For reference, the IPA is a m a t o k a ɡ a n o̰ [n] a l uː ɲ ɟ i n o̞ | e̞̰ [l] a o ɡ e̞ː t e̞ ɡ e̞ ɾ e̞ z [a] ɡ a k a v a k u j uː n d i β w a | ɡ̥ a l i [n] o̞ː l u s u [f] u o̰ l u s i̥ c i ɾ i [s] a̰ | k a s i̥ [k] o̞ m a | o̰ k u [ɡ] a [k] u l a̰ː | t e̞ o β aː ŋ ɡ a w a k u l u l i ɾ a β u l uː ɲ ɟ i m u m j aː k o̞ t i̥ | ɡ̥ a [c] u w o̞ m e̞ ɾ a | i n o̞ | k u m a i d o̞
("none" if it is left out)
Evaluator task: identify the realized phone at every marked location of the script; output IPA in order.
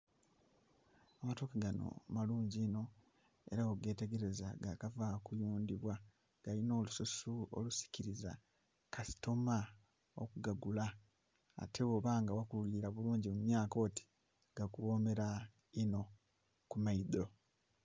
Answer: m, ɾ, a, n, s, z, t, ɡ, ɡ, k

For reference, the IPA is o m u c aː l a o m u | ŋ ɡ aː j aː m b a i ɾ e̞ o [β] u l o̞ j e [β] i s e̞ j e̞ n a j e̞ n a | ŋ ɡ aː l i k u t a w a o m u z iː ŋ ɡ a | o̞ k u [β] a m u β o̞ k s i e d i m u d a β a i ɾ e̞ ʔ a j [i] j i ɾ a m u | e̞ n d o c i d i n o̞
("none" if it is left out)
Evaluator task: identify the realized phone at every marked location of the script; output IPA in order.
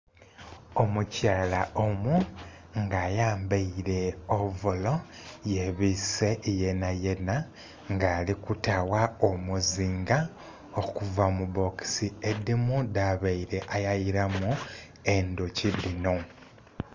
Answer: v, β, v, a

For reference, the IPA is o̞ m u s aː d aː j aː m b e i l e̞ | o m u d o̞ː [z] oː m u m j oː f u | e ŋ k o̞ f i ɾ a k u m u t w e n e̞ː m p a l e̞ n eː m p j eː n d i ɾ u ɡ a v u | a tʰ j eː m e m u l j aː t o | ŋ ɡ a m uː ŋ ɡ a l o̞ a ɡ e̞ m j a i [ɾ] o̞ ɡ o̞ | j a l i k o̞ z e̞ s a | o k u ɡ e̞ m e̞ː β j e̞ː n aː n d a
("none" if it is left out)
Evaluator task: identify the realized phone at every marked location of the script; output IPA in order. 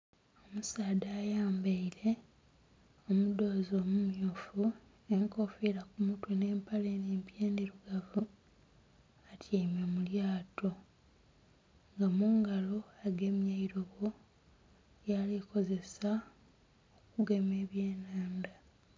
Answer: z, ɾ

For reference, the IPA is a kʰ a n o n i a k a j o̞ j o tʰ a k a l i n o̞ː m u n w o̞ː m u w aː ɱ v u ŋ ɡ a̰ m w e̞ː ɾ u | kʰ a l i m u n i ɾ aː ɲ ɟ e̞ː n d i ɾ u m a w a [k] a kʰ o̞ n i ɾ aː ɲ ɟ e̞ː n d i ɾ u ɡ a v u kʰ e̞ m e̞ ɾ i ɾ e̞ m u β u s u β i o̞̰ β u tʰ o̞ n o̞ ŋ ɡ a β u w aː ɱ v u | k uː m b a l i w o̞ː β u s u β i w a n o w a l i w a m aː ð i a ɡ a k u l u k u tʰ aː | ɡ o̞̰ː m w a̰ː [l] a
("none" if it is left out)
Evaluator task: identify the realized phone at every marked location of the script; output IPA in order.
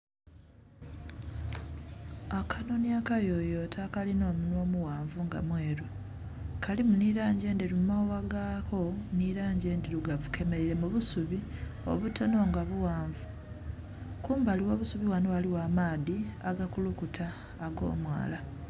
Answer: ɡ, l

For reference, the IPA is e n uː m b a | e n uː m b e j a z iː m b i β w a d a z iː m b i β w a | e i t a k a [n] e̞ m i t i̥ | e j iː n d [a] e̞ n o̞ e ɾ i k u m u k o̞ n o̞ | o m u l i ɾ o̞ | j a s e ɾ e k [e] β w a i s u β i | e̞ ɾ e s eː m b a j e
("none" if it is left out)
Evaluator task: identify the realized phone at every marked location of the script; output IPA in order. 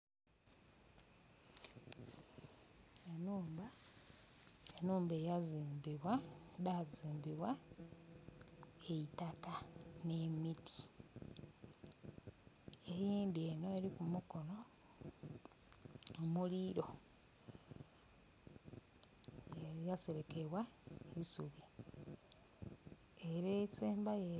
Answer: n, i, e

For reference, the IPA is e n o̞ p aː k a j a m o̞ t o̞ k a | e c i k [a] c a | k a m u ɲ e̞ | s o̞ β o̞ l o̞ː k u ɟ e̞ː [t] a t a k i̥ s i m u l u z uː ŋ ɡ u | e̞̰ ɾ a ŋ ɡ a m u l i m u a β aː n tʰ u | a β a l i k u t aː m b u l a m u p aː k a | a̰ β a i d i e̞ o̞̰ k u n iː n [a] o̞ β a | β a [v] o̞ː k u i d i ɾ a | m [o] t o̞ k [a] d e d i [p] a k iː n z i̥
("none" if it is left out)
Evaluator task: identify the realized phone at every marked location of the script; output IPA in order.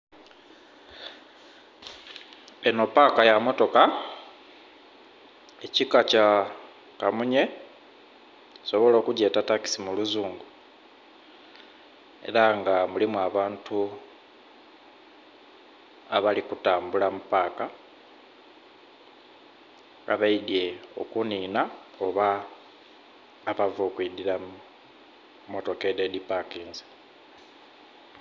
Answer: a, t, a, v, o, e, p

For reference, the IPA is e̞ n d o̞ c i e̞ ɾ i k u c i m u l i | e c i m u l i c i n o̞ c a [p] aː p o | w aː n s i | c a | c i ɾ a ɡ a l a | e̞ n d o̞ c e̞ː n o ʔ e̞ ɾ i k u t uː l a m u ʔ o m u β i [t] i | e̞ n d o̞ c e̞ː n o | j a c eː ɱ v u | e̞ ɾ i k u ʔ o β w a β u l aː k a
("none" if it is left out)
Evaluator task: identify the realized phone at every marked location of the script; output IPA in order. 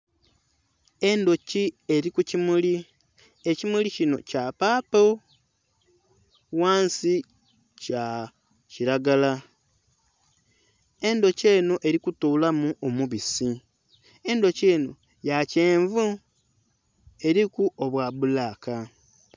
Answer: p, s

